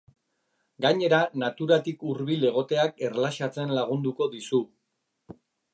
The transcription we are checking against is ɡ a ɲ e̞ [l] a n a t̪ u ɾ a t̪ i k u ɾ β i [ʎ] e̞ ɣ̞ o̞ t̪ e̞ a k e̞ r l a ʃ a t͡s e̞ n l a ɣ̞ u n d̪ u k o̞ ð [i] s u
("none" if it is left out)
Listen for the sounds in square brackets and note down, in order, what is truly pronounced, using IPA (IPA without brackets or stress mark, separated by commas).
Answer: ɾ, l, i